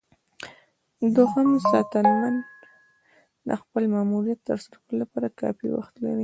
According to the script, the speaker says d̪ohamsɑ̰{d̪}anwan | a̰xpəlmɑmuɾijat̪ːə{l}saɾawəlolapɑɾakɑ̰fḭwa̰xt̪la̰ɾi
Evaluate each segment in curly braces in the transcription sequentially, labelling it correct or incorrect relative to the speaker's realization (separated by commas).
incorrect, incorrect